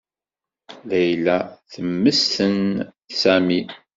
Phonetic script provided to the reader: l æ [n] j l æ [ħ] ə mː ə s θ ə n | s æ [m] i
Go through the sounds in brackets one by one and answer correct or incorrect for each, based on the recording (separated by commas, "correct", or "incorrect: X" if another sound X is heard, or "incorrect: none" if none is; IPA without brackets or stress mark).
incorrect: none, incorrect: θ, correct